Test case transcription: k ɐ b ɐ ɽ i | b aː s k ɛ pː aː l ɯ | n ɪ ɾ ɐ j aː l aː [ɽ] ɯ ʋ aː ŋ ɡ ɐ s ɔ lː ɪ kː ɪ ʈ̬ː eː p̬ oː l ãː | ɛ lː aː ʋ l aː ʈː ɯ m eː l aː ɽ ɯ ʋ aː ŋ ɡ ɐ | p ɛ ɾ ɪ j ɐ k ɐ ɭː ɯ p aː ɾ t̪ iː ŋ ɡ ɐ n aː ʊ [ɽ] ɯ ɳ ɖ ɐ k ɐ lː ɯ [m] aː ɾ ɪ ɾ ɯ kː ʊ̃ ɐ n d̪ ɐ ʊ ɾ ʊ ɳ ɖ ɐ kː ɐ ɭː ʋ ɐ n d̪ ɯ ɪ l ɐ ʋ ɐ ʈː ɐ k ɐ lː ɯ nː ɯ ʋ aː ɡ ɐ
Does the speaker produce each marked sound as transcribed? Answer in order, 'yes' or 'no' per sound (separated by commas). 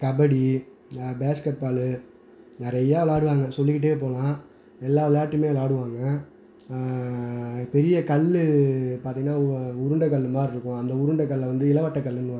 yes, no, yes